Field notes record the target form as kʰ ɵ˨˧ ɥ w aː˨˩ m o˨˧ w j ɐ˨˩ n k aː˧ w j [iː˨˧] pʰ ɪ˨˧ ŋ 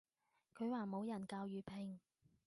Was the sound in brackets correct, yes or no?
no